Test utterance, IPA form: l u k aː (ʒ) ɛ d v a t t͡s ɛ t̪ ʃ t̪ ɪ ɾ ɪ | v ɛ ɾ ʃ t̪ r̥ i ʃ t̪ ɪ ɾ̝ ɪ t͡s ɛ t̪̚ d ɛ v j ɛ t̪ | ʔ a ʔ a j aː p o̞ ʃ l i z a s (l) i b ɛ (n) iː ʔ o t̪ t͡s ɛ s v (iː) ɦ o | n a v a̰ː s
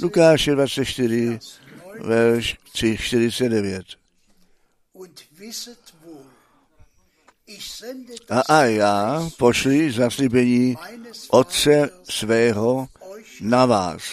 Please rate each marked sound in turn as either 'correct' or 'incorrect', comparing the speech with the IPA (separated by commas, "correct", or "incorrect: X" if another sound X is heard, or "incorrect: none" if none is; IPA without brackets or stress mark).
incorrect: ʃ, correct, incorrect: ɲ, incorrect: ɛː